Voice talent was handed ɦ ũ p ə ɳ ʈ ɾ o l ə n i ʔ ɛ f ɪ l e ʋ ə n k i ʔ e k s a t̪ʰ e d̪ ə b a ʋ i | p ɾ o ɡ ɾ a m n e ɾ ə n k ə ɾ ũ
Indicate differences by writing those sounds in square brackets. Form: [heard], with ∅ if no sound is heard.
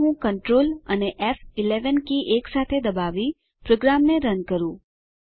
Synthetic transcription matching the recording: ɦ ũ [k] ə ɳ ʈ ɾ o l ə n [e] ʔ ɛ f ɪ l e ʋ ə n k i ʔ e k s a t̪ʰ e d̪ ə b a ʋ i | p ɾ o ɡ ɾ a m n e ɾ ə n k ə ɾ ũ